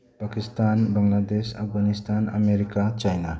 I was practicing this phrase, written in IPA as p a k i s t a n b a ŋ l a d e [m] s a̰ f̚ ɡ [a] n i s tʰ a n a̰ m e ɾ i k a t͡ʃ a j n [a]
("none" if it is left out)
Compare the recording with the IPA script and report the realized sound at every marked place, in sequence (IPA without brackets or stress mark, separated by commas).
none, a, a